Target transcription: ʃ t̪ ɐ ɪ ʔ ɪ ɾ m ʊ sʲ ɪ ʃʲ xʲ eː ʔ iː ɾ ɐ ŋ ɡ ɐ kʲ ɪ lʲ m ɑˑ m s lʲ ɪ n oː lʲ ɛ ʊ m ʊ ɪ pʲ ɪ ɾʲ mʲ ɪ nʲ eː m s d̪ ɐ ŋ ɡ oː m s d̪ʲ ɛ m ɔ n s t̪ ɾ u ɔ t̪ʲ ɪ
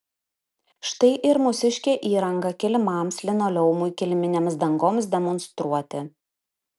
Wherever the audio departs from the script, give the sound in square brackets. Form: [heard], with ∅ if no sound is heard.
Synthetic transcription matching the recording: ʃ t̪ ɐ ɪ ʔ ɪ ɾ m ʊ sʲ ɪ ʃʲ [kʲ] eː ʔ iː ɾ ɐ ŋ ɡ ɐ kʲ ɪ lʲ m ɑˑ m s lʲ ɪ n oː lʲ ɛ ʊ m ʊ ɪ [kʲ] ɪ [lʲ] mʲ ɪ nʲ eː m s d̪ ɐ ŋ ɡ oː m s d̪ʲ ɛ m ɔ n s t̪ ɾ u ɔ t̪ʲ ɪ